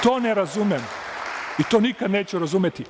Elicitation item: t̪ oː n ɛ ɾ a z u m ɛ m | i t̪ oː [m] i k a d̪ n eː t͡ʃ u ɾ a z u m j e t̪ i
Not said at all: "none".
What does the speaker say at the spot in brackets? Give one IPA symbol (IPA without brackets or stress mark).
n